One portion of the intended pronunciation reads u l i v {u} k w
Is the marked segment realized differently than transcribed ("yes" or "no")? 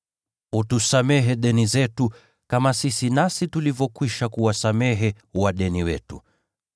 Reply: yes